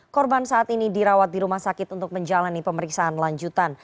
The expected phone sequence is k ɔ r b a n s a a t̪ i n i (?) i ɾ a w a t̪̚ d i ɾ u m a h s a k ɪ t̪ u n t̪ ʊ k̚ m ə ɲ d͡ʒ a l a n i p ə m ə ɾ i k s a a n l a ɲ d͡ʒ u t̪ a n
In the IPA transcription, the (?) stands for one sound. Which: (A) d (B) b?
A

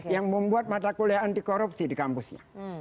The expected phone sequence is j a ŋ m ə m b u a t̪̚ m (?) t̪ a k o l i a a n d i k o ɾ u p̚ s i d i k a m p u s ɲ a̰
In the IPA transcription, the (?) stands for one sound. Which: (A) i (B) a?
B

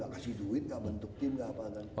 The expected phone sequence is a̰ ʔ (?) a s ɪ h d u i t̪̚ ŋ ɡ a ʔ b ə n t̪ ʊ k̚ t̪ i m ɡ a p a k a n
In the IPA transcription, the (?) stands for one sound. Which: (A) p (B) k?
B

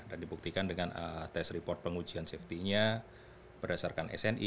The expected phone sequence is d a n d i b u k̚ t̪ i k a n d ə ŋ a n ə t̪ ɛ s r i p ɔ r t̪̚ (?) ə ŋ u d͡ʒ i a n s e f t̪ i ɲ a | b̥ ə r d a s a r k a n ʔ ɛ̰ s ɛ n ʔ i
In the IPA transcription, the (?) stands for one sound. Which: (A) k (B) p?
B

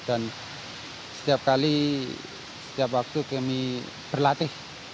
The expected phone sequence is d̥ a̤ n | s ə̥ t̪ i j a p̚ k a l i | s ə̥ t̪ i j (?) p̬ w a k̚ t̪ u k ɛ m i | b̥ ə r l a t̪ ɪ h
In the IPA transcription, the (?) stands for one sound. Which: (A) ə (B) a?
B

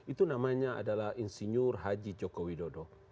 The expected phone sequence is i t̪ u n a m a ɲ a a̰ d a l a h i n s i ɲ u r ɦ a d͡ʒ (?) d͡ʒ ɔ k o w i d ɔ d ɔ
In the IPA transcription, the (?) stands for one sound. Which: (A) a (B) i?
B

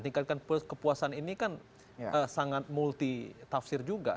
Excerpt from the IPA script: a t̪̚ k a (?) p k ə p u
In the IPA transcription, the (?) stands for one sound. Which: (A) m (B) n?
B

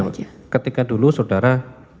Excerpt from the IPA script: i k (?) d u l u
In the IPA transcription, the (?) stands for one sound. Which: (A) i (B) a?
B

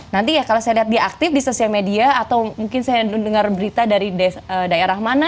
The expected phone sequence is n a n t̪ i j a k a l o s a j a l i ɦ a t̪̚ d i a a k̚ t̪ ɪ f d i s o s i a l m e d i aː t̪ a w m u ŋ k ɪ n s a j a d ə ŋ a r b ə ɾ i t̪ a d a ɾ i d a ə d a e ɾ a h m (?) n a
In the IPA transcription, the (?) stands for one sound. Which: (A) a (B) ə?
A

